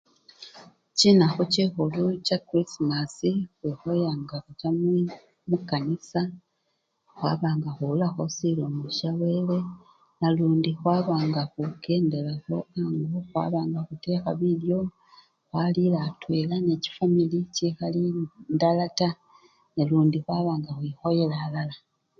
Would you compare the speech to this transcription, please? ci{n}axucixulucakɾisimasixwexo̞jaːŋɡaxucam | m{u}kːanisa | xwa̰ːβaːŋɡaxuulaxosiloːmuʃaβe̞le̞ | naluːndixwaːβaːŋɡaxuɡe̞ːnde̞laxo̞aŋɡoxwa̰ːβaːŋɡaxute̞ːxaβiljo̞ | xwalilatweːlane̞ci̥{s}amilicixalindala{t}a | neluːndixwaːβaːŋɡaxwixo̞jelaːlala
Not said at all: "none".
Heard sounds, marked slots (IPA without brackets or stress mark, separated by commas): n, u, f, t